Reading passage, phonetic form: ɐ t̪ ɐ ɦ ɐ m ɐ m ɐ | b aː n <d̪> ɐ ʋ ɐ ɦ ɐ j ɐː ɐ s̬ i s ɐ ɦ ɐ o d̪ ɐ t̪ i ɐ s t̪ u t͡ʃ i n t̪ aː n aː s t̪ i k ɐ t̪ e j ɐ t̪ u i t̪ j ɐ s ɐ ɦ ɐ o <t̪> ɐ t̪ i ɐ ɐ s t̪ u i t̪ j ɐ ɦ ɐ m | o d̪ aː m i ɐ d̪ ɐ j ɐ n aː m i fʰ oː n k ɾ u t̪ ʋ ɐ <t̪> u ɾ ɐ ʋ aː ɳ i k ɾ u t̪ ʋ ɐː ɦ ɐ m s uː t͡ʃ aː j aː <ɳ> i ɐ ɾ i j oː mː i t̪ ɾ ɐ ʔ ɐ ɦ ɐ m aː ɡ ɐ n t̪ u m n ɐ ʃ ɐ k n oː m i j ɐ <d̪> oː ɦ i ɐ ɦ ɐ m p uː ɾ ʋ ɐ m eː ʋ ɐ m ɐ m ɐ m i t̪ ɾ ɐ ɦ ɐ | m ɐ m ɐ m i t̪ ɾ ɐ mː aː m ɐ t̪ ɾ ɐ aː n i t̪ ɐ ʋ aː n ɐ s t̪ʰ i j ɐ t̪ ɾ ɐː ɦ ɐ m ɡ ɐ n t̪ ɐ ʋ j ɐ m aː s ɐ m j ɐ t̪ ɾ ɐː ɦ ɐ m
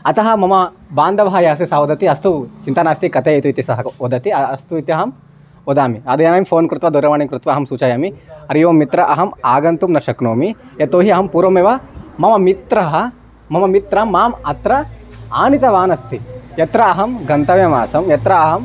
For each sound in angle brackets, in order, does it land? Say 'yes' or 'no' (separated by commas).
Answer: yes, no, no, no, no